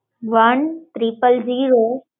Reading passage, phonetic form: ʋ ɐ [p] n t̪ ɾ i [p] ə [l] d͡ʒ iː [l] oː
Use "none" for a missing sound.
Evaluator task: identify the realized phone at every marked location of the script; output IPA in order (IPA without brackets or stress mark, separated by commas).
none, p, l, ɾ